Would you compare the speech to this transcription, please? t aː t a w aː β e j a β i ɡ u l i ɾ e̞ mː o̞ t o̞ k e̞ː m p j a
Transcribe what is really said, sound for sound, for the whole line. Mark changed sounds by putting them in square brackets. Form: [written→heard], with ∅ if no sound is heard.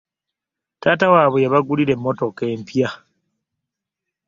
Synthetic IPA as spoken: t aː t a w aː β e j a β [i→a] ɡ u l i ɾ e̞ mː o̞ t o̞ k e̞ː m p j a